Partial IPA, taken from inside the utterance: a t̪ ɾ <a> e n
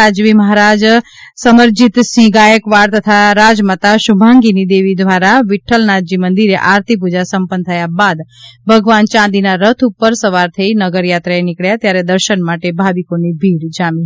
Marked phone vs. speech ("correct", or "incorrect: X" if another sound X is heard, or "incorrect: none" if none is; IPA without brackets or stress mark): correct